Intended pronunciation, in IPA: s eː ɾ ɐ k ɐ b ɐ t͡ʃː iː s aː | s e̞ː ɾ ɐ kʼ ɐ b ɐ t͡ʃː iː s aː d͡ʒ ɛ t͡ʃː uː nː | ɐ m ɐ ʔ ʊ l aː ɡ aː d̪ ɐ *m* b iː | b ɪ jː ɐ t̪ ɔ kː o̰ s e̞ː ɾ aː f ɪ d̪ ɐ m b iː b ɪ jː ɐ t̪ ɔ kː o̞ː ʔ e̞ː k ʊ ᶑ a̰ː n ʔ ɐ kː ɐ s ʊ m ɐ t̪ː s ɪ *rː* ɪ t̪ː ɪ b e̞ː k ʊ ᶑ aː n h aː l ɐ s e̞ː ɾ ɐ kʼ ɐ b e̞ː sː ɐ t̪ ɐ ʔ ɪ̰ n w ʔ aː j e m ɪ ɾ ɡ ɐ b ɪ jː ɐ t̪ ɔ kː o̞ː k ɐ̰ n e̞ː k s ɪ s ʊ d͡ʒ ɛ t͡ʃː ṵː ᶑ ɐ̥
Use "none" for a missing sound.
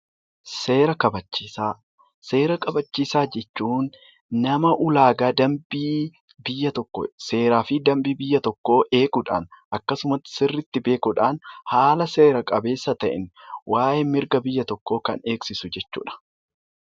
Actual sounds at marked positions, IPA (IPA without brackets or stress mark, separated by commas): m, rː